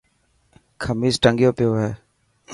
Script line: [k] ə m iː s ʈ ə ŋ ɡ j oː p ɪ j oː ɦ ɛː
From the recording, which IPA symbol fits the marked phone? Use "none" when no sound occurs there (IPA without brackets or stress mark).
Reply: kʰ